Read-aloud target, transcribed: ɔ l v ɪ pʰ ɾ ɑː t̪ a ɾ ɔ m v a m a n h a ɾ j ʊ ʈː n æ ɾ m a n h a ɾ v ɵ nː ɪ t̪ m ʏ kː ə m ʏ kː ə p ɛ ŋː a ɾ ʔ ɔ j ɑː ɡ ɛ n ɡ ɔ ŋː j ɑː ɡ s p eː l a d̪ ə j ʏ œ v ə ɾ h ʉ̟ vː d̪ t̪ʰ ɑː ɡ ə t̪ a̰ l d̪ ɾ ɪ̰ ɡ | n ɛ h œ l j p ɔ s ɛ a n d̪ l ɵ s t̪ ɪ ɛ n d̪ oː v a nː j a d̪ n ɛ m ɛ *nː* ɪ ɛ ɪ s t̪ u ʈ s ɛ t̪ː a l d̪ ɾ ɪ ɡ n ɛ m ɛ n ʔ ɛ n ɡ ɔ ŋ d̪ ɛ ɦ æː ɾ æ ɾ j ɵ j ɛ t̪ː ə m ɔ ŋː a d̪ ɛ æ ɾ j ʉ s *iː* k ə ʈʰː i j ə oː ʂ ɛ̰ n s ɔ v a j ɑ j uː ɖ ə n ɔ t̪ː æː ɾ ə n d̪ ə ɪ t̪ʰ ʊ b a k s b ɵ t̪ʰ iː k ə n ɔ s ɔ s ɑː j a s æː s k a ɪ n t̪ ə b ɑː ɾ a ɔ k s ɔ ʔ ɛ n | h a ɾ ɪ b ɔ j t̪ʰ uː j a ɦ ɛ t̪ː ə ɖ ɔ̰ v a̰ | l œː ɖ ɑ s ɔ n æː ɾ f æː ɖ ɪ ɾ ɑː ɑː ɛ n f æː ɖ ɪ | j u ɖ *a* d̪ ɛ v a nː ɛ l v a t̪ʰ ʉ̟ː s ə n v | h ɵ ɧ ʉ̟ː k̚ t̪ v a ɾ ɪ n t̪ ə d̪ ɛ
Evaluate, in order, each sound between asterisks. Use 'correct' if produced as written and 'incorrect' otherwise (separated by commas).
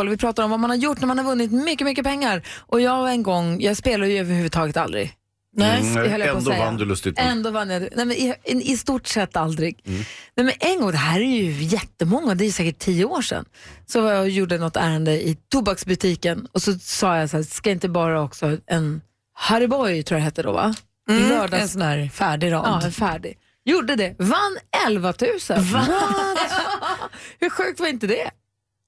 incorrect, incorrect, incorrect